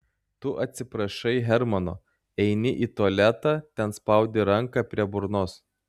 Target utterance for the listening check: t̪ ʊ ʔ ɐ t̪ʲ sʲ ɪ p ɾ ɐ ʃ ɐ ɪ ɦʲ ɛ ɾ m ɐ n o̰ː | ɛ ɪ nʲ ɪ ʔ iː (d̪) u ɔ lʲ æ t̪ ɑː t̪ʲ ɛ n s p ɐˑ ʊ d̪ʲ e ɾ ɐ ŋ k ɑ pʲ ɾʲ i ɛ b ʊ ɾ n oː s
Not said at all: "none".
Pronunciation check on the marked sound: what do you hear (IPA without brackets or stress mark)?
t̪